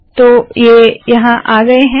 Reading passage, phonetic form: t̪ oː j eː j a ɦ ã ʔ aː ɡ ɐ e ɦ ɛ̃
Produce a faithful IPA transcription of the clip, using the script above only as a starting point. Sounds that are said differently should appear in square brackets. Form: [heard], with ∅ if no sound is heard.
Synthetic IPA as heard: t̪ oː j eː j [ɐ] ɦ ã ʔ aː ɡ ɐ e ɦ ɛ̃